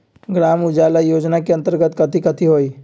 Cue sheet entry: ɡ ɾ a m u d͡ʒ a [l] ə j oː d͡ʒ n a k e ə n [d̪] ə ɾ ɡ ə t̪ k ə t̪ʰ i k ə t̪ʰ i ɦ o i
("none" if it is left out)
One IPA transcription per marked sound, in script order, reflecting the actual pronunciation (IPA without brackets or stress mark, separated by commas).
l, t̪